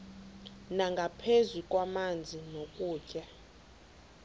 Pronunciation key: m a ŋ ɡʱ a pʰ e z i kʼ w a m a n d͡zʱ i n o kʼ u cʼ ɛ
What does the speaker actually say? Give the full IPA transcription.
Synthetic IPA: n a ŋ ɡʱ a pʰ e z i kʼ w a m a n d͡zʱ i n o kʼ uː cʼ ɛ

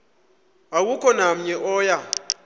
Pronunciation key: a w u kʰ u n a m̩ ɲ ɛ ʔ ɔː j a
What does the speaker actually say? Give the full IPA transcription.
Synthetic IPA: a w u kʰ ɔ n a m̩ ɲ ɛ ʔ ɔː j a

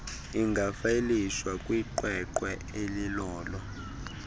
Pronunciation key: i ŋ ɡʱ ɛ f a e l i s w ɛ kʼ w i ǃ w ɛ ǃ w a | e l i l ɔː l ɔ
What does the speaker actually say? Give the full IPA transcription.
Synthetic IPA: i ŋ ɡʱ a f a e l i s w a kʼ w i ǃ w ɛ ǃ w ɛ | e l i l ɔː l ɔ

